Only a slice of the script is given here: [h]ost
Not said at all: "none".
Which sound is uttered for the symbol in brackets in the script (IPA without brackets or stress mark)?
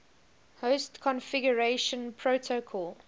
h